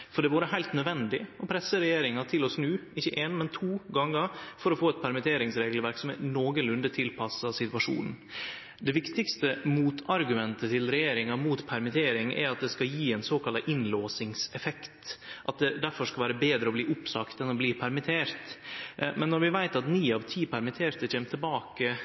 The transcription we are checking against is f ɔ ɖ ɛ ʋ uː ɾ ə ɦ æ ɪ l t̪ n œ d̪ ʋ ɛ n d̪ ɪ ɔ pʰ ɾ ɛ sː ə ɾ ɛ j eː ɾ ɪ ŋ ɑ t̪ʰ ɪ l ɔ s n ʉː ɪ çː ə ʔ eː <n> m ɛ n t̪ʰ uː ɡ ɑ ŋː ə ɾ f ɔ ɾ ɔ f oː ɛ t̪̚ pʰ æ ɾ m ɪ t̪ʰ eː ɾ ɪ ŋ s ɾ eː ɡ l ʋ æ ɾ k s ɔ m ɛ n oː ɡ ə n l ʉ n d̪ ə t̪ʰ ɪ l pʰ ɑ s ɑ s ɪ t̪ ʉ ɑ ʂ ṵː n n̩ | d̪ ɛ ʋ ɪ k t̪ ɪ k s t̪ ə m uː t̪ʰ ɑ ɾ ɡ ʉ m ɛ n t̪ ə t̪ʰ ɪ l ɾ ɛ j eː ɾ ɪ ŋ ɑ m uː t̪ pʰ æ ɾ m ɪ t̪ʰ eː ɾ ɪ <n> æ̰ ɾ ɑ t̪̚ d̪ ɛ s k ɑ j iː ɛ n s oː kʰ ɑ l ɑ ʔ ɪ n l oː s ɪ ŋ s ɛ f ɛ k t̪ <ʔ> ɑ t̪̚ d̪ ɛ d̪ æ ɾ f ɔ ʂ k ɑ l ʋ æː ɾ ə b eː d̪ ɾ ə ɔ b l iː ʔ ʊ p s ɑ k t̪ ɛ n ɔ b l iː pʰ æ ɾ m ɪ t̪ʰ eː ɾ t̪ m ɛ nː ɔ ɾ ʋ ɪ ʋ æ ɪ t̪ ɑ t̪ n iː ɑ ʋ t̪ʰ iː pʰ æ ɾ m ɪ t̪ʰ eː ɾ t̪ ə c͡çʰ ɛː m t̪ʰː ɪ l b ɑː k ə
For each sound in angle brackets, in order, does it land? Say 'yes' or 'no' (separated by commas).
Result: yes, no, yes